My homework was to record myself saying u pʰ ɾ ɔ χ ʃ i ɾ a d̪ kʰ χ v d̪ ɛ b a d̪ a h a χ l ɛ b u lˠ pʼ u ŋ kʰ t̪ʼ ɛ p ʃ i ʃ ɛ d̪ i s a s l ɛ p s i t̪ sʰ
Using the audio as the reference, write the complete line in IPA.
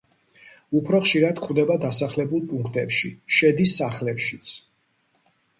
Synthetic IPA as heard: u pʰ ɾ ɔ χ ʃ i ɾ a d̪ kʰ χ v d̪ ɛ b a d̪ a s a χ l ɛ b u lˠ pʼ u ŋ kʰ t̪ʼ ɛ p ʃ i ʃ ɛ d̪ i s a χ l ɛ p ʃ i t̪ sʰ